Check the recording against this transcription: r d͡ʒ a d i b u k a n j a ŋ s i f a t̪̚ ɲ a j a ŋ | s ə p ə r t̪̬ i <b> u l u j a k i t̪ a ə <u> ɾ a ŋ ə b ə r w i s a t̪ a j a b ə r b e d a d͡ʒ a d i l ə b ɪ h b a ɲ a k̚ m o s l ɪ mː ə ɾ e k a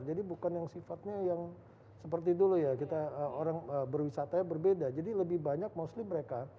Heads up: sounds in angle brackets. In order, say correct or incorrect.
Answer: incorrect: d, incorrect: o

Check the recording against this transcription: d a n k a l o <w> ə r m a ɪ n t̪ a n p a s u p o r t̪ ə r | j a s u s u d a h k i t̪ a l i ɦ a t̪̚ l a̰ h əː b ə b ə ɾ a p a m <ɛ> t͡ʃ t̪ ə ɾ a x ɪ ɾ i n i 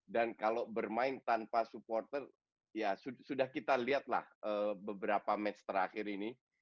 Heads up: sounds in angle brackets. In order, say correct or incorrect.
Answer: incorrect: b, correct

